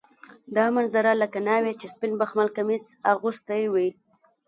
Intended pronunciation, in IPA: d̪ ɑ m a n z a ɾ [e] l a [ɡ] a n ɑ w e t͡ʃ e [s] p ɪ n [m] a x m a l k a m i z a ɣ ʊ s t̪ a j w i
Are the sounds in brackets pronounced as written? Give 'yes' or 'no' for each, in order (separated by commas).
no, no, yes, no